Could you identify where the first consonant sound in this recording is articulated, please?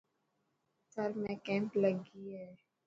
alveolar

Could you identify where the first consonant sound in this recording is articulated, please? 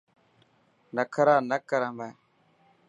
alveolar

